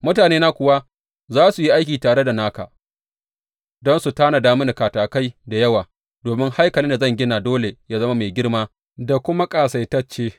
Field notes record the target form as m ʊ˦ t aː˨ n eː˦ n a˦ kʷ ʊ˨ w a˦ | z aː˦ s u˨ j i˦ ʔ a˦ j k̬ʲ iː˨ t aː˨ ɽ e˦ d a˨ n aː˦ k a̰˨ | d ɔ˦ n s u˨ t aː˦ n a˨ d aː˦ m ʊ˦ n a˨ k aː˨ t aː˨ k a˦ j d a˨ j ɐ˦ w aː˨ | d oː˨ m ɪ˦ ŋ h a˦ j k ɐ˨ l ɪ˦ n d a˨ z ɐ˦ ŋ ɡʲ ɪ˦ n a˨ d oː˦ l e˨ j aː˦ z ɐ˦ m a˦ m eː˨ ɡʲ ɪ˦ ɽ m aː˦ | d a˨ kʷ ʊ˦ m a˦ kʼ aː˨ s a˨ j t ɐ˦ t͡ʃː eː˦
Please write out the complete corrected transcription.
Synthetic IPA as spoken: m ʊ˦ t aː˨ n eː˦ n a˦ kʷ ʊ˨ w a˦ | z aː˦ s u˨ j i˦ ʔ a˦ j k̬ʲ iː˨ t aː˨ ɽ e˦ d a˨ n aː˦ k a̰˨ | d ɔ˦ n s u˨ t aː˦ n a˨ d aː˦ m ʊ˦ n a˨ k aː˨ t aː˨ k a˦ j d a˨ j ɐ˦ w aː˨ | d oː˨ m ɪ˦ ŋ h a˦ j k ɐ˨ l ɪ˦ n d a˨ z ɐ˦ ŋ ɡʲ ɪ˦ n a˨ d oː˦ l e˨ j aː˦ z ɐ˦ m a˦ m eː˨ ɡʲ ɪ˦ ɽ m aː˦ | d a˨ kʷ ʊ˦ m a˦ kʼ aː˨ s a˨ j t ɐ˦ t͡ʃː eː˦

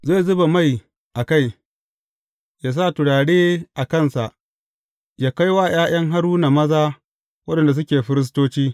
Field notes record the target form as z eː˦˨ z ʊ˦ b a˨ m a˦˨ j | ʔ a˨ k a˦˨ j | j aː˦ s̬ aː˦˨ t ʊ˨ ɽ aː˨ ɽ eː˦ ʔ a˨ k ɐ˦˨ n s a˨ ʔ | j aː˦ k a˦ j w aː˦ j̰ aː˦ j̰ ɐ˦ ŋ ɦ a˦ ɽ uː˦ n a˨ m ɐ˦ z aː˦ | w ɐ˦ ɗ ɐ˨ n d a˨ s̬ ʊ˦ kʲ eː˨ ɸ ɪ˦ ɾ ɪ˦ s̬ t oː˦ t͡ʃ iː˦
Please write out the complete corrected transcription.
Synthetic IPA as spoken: z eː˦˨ z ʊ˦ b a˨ m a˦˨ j | ʔ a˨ k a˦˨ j | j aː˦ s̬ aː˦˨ t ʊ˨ ɽ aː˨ ɽ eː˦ ʔ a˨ k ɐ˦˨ n s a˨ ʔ | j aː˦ k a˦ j w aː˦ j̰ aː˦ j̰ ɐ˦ ŋ ɦ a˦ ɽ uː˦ n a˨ m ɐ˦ z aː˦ | w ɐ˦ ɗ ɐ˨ n d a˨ s̬ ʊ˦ kʲ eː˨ ɸ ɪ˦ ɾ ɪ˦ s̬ t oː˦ t͡ʃ iː˦

